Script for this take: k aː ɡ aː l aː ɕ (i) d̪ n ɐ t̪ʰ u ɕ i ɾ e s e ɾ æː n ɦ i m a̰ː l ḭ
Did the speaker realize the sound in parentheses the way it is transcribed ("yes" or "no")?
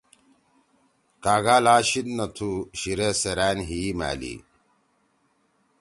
yes